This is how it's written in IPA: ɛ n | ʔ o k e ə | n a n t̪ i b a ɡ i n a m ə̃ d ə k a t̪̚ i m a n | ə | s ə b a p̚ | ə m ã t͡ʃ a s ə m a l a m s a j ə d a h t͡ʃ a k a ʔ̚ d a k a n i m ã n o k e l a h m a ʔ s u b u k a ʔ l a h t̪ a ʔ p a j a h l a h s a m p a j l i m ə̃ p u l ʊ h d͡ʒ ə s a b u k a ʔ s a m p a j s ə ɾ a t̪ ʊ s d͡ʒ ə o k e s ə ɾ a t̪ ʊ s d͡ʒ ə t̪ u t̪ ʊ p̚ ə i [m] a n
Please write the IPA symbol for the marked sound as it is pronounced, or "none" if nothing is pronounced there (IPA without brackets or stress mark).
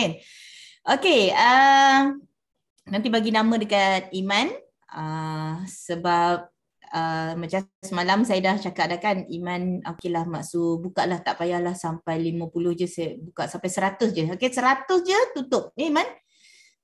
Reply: m